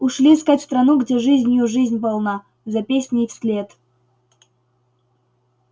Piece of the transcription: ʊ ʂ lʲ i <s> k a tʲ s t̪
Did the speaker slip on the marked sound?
no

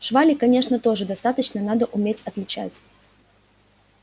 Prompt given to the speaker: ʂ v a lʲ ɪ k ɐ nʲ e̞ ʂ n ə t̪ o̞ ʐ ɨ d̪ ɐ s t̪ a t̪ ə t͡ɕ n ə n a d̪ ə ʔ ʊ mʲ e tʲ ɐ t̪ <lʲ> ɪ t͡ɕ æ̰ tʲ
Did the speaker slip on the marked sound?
no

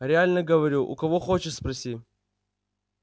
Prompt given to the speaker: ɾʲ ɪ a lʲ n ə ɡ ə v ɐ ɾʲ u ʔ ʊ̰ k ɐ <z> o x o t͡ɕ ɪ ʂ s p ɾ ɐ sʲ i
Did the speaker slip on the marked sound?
yes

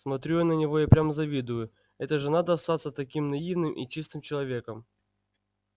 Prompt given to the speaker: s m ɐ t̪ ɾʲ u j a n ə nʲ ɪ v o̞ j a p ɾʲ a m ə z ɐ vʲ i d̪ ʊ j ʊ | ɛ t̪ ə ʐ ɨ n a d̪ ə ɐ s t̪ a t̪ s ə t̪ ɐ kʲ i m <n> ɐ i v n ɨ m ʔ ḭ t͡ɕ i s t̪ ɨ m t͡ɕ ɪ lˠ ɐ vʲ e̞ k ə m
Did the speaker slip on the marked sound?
no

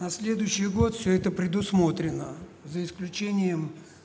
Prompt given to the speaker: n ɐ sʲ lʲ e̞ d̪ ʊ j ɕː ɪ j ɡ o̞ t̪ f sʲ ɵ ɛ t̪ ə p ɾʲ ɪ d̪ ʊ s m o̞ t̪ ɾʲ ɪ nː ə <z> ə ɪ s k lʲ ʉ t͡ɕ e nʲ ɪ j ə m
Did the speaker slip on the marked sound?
no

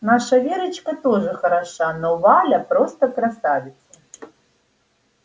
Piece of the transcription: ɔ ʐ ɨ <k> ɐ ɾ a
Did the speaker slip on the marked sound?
yes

